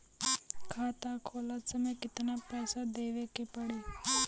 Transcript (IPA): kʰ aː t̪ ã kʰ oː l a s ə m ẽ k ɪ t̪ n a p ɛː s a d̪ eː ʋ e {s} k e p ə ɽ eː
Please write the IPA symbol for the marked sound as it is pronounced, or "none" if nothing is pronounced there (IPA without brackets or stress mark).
none